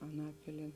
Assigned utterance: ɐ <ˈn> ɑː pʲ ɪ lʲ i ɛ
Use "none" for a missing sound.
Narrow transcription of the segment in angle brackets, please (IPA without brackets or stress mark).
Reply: n